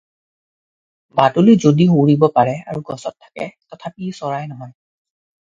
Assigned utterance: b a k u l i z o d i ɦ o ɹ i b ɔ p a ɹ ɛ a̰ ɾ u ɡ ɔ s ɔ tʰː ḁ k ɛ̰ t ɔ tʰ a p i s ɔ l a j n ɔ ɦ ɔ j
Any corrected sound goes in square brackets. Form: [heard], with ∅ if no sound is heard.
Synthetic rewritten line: b a [t] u l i z o d i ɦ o ɹ i b ɔ p a ɹ ɛ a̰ [ɹ] u ɡ ɔ s ɔ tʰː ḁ k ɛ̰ t ɔ tʰ a p i s ɔ [ɹ] a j n ɔ ɦ ɔ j